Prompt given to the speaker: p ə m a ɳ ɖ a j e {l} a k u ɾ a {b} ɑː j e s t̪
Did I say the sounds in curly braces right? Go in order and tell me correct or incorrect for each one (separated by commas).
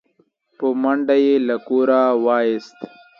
correct, incorrect